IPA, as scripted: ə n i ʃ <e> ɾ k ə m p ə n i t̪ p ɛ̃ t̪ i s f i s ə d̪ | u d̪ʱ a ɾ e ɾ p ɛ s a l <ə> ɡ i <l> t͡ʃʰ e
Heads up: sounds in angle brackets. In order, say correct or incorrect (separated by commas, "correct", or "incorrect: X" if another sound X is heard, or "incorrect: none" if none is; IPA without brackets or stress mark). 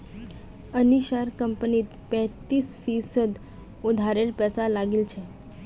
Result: incorrect: a, incorrect: a, correct